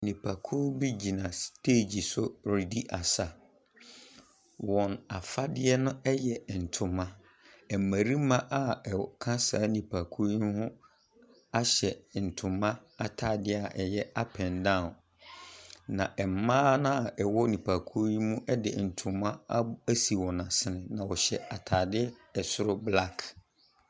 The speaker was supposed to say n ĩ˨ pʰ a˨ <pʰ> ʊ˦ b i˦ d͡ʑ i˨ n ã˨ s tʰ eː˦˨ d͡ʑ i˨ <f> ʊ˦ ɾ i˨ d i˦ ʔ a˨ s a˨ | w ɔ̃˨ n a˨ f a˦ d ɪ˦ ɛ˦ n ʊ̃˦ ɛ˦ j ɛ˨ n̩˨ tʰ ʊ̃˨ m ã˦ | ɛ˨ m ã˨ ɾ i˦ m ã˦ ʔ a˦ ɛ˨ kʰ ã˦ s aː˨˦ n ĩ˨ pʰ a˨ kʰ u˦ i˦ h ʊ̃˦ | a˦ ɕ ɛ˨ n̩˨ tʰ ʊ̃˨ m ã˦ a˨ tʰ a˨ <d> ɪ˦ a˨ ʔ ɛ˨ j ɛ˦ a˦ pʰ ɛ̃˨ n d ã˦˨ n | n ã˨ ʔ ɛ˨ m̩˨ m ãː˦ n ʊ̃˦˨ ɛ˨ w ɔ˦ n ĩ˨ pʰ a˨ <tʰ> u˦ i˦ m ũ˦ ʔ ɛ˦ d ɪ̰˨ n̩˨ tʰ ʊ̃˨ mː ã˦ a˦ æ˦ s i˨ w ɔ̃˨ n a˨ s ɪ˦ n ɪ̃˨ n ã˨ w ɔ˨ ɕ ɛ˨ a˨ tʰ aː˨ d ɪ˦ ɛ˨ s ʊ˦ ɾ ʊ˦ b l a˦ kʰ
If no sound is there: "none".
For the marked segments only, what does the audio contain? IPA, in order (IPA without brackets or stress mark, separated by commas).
kʰ, s, d, kʰ